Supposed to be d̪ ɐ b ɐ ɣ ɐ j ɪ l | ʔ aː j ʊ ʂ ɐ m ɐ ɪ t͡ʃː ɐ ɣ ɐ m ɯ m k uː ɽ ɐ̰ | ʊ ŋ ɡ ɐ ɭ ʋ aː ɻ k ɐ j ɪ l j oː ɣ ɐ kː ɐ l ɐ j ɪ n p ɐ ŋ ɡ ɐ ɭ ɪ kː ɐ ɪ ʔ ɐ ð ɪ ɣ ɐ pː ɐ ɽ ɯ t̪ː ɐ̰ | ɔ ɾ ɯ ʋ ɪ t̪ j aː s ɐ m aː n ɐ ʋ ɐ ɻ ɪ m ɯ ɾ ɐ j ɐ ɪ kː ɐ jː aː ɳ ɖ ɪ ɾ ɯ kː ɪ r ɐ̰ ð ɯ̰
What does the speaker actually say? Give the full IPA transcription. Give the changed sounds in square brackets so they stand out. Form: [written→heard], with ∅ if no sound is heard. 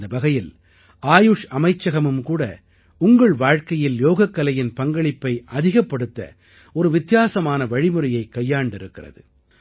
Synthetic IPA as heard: d̪ ɐ b ɐ ɣ ɐ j ɪ l | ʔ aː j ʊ ʂ ɐ m ɐ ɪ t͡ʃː ɐ ɣ ɐ m ɯ m k uː ɽ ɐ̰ | ʊ ŋ ɡ ɐ ɭ ʋ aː ɻ k ɐ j ɪ l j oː ɣ ɐ kː ɐ l ɐ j ɪ n p ɐ ŋ ɡ ɐ ɭ ɪ [kː→pː] ɐ ɪ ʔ ɐ ð ɪ ɣ ɐ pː ɐ ɽ ɯ t̪ː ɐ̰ | ɔ ɾ ɯ ʋ ɪ t̪ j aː s ɐ m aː n ɐ ʋ ɐ ɻ ɪ m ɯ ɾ ɐ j ɐ ɪ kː ɐ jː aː ɳ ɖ ɪ ɾ ɯ kː ɪ r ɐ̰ ð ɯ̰

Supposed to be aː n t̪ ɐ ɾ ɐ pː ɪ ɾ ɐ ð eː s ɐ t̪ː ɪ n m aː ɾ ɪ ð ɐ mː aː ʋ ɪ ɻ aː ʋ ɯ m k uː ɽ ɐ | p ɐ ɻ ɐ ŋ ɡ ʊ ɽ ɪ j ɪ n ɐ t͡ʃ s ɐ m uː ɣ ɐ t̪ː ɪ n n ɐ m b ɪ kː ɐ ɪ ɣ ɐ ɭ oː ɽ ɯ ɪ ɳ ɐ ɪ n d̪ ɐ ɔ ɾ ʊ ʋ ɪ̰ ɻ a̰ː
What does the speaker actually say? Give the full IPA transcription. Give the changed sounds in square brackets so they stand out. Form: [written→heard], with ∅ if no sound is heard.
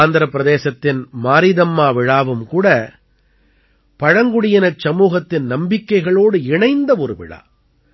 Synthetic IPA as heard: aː n [t̪→d̪] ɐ ɾ ɐ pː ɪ ɾ ɐ ð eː s ɐ t̪ː ɪ n m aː ɾ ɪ ð ɐ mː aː ʋ ɪ ɻ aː ʋ ɯ m k uː ɽ ɐ | p ɐ ɻ ɐ ŋ ɡ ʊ ɽ ɪ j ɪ n ɐ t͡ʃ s ɐ m uː ɣ ɐ t̪ː ɪ n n ɐ m b ɪ kː ɐ ɪ ɣ ɐ ɭ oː ɽ ɯ ɪ ɳ ɐ ɪ n d̪ ɐ ɔ ɾ [ʊ→ɯ] ʋ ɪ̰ ɻ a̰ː

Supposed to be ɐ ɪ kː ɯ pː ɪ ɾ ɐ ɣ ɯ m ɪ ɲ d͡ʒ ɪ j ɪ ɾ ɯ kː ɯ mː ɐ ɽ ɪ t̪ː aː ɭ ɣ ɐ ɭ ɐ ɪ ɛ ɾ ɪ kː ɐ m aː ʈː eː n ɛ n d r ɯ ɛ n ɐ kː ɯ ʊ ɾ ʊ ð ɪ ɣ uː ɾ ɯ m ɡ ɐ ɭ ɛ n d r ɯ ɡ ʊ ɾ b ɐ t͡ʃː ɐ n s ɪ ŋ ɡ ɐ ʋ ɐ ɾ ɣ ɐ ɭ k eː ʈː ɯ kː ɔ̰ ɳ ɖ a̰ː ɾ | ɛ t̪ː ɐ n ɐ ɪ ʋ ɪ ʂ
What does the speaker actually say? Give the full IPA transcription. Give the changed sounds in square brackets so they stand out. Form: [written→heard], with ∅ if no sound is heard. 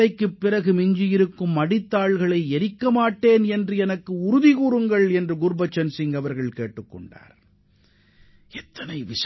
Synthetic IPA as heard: ɐ ɪ kː ɯ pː ɪ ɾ ɐ ɣ ɯ m ɪ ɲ d͡ʒ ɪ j ɪ ɾ ɯ kː ɯ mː ɐ ɽ ɪ t̪ː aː ɭ ɣ ɐ ɭ ɐ ɪ ɛ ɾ ɪ kː ɐ m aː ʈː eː n ɛ n d r ɯ ɛ n ɐ kː ɯ ʊ ɾ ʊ ð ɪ ɣ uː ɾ ɯ [m→ŋ] ɡ ɐ ɭ ɛ n d r ɯ ɡ ʊ ɾ b ɐ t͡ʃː ɐ n s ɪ ŋ ɡ ɐ ʋ ɐ ɾ ɣ ɐ ɭ k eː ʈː ɯ kː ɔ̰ ɳ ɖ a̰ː ɾ | ɛ t̪ː ɐ n ɐ ɪ ʋ ɪ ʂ

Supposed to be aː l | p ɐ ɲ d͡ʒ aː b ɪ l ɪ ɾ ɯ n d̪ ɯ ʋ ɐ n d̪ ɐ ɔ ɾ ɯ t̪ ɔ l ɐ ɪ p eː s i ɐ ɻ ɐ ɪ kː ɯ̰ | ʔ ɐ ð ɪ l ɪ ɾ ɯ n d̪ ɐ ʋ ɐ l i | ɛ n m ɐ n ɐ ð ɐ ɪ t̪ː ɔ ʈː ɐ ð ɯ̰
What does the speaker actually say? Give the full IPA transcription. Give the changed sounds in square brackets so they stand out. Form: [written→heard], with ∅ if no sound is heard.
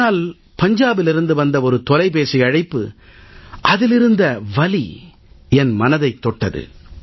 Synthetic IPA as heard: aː l | p ɐ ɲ d͡ʒ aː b ɪ l ɪ ɾ ɯ n d̪ ɯ ʋ ɐ n d̪ ɐ ɔ ɾ ɯ t̪ ɔ l ɐ ɪ p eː s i ɐ ɻ ɐ ɪ [kː→pː] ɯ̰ | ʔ ɐ ð ɪ l ɪ ɾ ɯ n d̪ ɐ ʋ ɐ l i | ɛ n m ɐ n ɐ ð ɐ ɪ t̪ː ɔ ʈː ɐ ð ɯ̰

